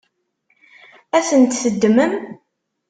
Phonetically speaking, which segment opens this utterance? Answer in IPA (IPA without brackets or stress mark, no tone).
æ